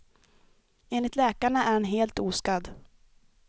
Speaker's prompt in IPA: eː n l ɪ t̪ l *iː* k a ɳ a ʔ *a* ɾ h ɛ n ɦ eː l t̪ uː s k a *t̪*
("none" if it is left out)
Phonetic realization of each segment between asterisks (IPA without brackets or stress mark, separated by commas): ɛː, æ, d̪